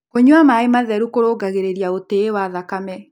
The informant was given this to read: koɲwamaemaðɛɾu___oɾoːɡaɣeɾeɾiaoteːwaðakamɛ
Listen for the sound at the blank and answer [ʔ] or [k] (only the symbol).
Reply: k